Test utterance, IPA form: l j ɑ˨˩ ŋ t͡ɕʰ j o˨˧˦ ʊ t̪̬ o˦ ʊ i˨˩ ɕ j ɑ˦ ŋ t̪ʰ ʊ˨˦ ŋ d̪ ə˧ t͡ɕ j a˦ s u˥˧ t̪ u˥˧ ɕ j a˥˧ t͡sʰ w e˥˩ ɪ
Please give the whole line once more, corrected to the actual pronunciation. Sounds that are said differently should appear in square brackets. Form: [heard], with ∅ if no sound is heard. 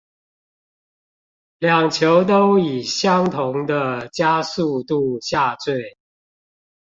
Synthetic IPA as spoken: l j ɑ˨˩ ŋ t͡ɕʰ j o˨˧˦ ʊ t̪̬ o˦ ʊ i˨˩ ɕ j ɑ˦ ŋ t̪ʰ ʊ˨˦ ŋ d̪ ə˧ t͡ɕ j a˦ s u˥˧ t̪ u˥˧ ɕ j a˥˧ [t͡s] w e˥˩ ɪ